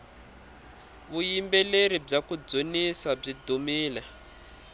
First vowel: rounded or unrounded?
rounded